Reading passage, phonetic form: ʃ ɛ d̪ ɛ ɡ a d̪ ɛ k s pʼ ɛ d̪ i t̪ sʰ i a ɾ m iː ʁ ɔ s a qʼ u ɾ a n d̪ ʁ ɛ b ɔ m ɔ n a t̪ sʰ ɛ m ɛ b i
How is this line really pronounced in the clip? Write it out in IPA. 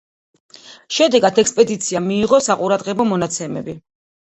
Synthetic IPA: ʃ ɛ d̪ ɛ ɡ a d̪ ɛ k s pʼ ɛ d̪ i t̪ sʰ i a m iː ʁ ɔ s a qʼ u ɾ a d̪ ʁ ɛ b ɔ m ɔ n a t̪ sʰ ɛ m ɛ b i